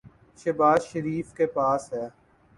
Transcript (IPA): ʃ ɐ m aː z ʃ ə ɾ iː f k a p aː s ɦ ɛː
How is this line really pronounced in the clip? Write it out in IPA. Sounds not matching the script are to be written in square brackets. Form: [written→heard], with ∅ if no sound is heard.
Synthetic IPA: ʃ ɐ [m→b] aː z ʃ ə ɾ iː f k [a→e] p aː s ɦ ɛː